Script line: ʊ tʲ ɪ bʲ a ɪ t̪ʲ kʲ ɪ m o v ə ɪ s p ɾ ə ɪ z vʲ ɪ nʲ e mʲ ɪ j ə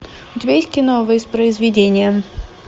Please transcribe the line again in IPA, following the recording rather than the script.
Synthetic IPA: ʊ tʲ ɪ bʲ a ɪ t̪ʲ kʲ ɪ n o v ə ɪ s p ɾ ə ɪ z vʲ ɪ dʲ e nʲ ɪ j ə